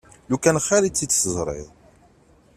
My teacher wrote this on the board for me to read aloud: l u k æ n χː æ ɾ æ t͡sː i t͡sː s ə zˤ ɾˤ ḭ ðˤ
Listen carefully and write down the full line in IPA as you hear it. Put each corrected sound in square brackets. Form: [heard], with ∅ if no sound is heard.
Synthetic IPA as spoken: l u k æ n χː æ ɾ [i] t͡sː i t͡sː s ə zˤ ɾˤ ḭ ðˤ